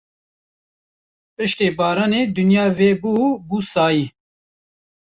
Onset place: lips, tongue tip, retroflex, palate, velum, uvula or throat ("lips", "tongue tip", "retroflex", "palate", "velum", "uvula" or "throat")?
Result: lips